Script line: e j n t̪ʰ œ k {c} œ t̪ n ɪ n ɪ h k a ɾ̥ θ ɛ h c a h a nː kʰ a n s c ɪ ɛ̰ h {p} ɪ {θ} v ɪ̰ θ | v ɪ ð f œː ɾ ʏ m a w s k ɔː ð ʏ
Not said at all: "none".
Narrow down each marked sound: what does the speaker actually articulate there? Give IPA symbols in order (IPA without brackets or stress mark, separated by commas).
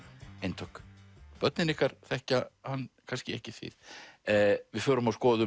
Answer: p, c, θ